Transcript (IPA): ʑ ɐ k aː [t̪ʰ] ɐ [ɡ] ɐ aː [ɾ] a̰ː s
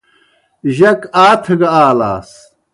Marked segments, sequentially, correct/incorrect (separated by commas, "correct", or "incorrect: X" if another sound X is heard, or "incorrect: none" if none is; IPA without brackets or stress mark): correct, correct, incorrect: l